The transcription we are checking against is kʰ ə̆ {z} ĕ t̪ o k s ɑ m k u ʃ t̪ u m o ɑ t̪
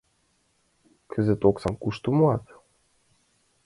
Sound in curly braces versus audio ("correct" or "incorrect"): correct